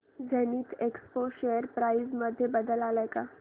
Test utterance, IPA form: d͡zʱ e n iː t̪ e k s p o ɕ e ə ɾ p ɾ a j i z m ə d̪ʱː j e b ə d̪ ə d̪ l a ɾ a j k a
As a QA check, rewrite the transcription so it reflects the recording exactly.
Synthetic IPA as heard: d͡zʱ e n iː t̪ e k s p o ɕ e ə ɾ p ɾ a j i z m ə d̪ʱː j e b ə d̪ ə l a l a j k a

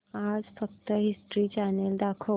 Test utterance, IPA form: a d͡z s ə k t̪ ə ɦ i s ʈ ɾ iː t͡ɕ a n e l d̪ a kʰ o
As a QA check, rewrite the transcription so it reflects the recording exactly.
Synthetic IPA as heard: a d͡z f ə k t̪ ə ɦ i s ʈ ɾ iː t͡ɕ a n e l d̪ a kʰ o

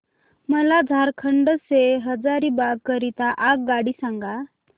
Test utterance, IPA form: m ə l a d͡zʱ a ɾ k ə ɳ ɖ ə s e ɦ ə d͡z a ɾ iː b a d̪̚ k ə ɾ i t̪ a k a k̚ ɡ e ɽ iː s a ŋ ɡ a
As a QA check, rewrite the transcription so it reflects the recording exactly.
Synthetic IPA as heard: m ə l a d͡zʱ a ɾ kʰ ə ɳ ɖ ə s e ɦ ə d͡z a ɾ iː b a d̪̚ k ə ɾ i t̪ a ʔ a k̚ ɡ a ɽ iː s a ŋ ɡ a

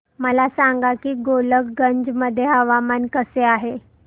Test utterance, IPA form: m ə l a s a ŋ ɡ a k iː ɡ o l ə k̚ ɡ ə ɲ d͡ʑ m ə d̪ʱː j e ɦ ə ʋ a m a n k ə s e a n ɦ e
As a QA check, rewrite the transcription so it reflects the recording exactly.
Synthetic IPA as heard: m ə l a s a ŋ ɡ a k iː ɡ o l ə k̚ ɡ ə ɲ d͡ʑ m ə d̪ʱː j e ɦ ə ʋ a m a n k ə s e a ɦ e

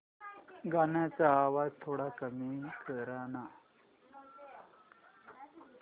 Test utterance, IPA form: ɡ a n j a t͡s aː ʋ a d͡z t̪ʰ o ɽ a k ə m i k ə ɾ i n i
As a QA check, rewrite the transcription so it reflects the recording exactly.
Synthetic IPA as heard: ɡ a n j a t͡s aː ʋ a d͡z t̪ʰ o ɽ a k ə m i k ə ɾ a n a

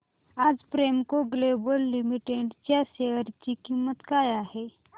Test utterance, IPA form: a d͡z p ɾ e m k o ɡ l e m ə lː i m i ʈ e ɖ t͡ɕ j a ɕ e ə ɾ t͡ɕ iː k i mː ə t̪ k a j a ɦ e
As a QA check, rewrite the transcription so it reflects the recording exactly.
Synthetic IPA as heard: a d͡z p ɾ e m k o ɡ l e b ə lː i m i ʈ e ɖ t͡ɕ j a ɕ e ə ɾ t͡ɕ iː k i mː ə t̪ k a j a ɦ e

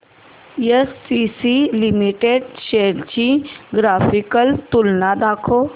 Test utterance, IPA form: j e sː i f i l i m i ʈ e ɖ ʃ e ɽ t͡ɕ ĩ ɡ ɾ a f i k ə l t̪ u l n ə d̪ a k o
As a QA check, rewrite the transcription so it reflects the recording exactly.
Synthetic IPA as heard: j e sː i s i l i m i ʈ e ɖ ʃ e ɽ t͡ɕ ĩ ɡ ɾ a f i k ə l t̪ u l n a d̪ a kʰ o

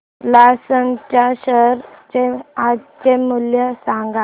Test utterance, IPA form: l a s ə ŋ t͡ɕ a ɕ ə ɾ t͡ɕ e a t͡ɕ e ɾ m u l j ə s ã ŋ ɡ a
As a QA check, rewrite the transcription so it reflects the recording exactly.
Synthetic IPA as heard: l a s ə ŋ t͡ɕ a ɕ ə ɾ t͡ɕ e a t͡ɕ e m u l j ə s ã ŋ ɡ a

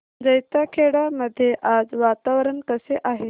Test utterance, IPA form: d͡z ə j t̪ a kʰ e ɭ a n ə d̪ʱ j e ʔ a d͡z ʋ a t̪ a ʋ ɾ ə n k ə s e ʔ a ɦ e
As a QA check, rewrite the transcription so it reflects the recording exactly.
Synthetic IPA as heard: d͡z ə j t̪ a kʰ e ɽ a m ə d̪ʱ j e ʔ a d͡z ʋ a t̪ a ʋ ɾ ə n k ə s e ʔ a ɦ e

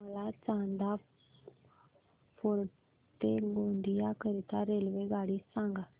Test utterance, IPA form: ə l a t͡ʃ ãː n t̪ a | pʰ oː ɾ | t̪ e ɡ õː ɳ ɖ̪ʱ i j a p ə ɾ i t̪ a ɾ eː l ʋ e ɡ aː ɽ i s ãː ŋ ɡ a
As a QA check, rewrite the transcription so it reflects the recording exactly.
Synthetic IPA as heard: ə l a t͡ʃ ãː n d̪ a | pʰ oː ɾ | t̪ e ɡ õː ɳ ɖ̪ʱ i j a k ə ɾ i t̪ a ɾ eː l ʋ e ɡ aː ɽ i s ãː ŋ ɡ a

